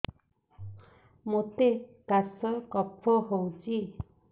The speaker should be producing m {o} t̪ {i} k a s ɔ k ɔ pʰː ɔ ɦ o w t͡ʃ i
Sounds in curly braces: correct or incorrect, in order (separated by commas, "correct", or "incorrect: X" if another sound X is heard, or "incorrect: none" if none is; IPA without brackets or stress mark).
correct, incorrect: e